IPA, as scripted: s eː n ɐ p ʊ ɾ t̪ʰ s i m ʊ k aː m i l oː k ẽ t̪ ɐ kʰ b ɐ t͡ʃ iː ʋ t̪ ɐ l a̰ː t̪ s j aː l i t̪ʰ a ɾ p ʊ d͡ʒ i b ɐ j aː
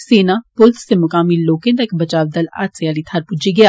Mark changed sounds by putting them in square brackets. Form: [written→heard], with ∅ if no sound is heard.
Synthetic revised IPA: s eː n [ɐ→a] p ʊ [ɾ→l] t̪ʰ s [i→e] m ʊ k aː m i l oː k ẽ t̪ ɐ [kʰ→k] b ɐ t͡ʃ [iː→aː] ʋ [t̪→d̪] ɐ l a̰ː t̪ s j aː l i t̪ʰ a ɾ p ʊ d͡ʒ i [b→ɡ] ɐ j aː